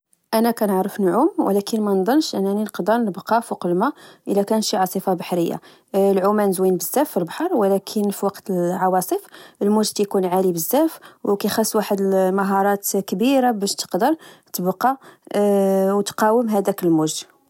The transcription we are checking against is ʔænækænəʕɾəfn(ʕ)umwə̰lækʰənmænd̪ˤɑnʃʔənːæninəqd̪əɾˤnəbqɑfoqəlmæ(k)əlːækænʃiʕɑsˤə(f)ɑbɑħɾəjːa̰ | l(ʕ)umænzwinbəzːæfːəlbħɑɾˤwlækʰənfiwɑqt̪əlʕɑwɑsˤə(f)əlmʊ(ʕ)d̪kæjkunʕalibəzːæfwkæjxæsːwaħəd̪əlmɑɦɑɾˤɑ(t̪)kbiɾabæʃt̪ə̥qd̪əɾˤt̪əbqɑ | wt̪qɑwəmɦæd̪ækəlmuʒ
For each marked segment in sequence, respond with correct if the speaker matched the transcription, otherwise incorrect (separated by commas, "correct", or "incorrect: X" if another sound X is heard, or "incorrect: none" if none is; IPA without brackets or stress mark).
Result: correct, incorrect: ʔ, correct, correct, correct, incorrect: ʒ, correct